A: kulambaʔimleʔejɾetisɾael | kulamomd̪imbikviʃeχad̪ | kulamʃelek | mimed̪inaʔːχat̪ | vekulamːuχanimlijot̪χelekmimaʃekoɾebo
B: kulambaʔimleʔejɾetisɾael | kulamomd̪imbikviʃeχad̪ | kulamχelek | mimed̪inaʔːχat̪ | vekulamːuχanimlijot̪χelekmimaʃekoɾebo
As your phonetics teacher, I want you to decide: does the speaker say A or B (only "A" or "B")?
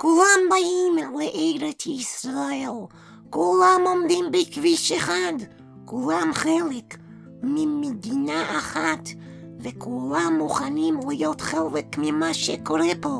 B